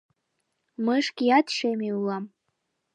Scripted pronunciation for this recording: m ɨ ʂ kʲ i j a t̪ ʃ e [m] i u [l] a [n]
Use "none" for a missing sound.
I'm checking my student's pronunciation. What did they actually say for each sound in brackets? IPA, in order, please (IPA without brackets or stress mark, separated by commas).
m, l, m